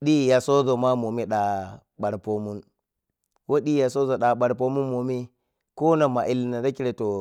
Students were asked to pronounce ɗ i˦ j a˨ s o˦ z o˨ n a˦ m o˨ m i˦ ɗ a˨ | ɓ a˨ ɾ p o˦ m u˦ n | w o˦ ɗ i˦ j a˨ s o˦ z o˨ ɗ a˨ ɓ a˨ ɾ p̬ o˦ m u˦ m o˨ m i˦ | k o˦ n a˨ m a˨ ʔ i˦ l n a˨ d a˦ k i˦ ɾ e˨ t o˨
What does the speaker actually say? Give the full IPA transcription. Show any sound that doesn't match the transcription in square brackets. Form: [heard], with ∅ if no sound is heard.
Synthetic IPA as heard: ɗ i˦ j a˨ s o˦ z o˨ [m] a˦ m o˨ m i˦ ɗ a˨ | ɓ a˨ ɾ p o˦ m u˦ n | w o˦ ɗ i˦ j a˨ s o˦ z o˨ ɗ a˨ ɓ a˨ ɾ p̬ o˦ m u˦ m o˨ m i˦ | k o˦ n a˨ m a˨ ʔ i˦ l n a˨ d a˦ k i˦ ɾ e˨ t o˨